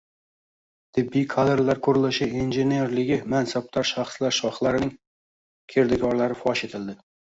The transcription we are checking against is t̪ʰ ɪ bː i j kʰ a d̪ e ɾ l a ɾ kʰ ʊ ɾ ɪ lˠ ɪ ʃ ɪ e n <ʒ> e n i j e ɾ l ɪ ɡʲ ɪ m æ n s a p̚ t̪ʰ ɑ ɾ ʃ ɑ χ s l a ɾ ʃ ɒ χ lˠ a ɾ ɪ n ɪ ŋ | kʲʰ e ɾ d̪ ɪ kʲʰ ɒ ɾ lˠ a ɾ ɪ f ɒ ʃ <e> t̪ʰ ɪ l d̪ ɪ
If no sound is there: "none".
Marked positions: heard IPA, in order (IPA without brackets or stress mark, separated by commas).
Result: ʒ, e